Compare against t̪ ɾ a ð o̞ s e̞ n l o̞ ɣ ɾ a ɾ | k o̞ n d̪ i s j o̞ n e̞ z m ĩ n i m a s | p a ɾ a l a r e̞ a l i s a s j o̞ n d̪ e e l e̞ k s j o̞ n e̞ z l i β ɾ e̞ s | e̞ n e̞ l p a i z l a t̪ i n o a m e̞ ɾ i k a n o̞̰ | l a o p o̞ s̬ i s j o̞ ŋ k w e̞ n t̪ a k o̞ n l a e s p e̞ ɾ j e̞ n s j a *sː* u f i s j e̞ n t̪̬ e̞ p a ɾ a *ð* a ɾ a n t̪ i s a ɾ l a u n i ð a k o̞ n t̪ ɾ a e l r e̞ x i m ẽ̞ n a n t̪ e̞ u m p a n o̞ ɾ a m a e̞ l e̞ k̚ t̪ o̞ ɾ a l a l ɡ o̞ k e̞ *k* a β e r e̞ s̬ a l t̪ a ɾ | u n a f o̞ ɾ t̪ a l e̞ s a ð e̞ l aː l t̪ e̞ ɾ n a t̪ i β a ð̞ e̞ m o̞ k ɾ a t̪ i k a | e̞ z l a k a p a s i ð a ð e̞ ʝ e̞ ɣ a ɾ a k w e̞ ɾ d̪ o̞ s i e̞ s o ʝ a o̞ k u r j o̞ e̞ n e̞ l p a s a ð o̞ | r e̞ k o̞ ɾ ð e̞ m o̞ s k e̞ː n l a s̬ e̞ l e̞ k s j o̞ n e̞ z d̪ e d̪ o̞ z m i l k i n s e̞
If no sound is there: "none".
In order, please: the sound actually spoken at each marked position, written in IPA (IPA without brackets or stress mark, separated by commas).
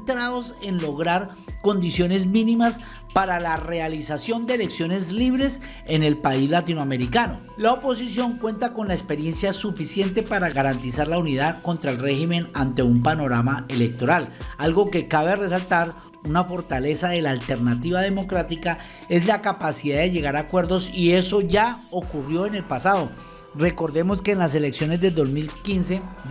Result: s, ɣ, k